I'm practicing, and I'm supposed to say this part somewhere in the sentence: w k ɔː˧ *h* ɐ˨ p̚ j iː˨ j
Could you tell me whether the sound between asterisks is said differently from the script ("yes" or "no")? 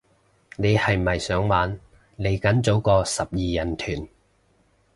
yes